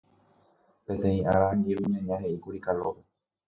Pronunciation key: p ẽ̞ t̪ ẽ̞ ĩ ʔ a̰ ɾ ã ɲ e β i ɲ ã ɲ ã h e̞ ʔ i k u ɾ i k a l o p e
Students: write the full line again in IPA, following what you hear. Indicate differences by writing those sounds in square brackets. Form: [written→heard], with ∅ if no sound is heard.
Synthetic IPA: p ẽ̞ t̪ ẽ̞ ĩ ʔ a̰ ɾ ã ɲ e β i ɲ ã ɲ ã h e̞ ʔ i k u ɾ i k a l o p e

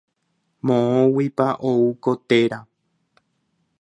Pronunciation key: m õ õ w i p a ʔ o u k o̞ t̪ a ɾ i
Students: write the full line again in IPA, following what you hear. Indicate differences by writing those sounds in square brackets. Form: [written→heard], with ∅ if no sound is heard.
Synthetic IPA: m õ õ w i p a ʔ o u k o̞ t̪ [a→e] ɾ [i→a]

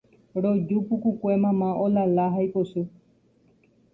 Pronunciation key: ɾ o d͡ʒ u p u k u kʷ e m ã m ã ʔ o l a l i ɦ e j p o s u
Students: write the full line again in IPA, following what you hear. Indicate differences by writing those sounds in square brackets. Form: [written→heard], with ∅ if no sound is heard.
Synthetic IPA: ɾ o d͡ʒ u p u k u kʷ e m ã m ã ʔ o l a l [i→a] ɦ [e→a] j p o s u

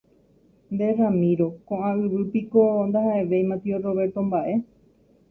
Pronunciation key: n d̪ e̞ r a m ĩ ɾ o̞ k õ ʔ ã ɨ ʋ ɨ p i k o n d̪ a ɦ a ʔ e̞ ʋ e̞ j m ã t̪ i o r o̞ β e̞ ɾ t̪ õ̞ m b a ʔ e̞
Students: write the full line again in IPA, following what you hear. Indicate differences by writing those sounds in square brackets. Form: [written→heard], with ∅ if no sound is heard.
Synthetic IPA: n d̪ e̞ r a m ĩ ɾ o̞ k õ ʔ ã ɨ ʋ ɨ p i k o n d̪ a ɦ a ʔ e̞ ʋ e̞ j m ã t̪ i o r o̞ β e̞ ɾ t̪ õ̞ m b a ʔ e̞

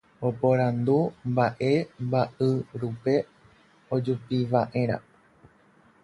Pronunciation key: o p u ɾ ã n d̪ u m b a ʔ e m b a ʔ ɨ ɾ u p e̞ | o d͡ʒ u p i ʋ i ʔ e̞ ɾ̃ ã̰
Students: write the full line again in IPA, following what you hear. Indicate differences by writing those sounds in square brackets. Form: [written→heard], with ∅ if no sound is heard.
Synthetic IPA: o p [u→o] ɾ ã n d̪ u m b a ʔ e m b a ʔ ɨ ɾ u p e̞ | o d͡ʒ u p i ʋ [i→a] ʔ e̞ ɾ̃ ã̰

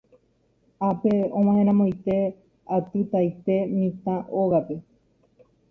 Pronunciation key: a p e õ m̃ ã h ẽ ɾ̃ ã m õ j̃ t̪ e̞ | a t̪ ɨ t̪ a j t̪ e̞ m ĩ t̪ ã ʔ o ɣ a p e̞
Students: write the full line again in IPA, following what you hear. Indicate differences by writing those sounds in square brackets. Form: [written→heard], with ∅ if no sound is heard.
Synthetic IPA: a p e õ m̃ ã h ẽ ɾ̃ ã m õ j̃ t̪ e̞ | a t̪ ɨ t̪ a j t̪ e̞ m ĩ t̪ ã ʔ o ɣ a p e̞

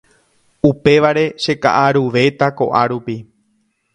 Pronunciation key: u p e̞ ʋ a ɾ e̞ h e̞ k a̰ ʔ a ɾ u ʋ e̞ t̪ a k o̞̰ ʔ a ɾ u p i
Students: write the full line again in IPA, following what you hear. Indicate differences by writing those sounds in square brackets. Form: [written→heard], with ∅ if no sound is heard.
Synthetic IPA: u p e̞ ʋ a ɾ e̞ [h→ʃ] e̞ k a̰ ʔ a ɾ u ʋ e̞ t̪ a k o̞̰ ʔ a ɾ u p i

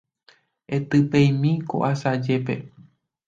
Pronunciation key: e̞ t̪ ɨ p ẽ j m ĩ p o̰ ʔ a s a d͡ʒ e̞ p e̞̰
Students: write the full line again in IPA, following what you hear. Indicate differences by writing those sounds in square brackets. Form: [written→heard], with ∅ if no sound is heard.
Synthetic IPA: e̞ t̪ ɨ p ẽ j m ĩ [p→k] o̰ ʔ a s a d͡ʒ e̞ p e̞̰

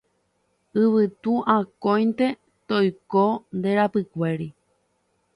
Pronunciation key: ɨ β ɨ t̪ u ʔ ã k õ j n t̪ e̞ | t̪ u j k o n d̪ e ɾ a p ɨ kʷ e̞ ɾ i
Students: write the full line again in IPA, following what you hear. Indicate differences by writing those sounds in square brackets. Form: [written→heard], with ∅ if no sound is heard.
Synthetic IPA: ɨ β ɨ t̪ u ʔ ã k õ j n t̪ e̞ | t̪ [u→o] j k o n d̪ e ɾ a p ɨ kʷ e̞ ɾ i

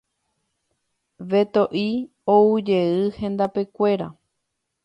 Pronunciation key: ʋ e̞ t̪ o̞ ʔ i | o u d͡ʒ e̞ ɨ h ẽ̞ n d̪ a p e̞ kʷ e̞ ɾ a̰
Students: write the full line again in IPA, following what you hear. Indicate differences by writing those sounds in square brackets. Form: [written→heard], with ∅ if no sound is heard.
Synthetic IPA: ʋ e̞ t̪ o̞ ʔ i | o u d͡ʒ e̞ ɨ h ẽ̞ n d̪ a p e̞ kʷ e̞ ɾ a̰

